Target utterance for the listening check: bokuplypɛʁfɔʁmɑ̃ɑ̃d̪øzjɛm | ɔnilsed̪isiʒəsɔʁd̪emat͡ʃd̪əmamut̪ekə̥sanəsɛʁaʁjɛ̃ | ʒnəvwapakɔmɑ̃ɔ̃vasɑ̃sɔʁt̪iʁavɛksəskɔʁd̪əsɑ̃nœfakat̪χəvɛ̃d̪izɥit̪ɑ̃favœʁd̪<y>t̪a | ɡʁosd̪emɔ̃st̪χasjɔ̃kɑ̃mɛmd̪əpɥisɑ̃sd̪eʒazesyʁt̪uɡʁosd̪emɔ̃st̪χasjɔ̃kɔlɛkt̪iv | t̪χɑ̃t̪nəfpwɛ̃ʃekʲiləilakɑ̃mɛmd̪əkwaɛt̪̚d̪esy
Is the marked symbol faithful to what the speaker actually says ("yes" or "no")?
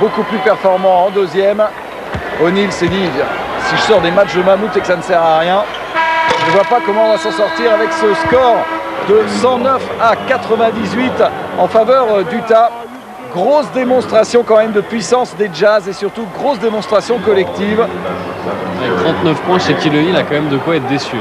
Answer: yes